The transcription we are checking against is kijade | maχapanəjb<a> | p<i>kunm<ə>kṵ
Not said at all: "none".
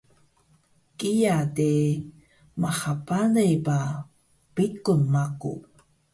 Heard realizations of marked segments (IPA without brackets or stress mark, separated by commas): a, i, a